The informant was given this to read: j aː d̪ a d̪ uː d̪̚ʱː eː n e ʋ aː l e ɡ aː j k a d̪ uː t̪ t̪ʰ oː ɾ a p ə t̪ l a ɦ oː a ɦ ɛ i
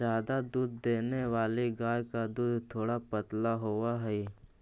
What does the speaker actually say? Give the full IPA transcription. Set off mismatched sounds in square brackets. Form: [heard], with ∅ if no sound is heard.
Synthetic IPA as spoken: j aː d̪ a d̪ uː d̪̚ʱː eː n e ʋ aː l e ɡ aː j k a d̪ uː [d̪] t̪ʰ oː [ɽ] a p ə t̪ l a ɦ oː a ɦ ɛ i